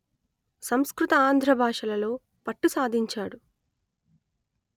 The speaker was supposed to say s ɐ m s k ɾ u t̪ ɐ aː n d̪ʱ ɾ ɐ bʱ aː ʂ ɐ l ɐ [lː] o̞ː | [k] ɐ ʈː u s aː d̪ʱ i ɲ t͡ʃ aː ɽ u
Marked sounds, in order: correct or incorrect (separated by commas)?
incorrect, incorrect